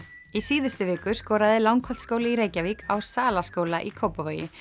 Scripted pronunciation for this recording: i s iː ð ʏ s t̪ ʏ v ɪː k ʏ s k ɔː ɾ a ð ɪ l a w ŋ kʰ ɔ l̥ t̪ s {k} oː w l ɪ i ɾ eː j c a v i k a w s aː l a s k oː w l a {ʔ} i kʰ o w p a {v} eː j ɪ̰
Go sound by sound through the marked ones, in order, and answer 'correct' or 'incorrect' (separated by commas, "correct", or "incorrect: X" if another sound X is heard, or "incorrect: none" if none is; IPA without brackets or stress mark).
correct, correct, correct